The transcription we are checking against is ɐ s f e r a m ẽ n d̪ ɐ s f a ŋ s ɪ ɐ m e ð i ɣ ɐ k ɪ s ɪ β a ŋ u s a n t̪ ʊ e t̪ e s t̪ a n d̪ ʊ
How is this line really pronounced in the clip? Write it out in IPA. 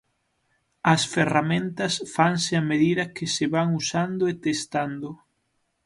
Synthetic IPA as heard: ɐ s f e r a m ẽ n t̪ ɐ s f a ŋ s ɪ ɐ m e ð i ð ɐ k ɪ s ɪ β a ŋ u s a n d̪ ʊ e t̪ e s t̪ a n d̪ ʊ